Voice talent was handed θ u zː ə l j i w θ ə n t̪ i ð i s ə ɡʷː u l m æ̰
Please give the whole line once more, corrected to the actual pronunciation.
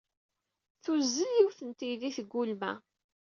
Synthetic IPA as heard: θ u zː ə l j i w θ ə n t̪ i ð i θ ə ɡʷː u l m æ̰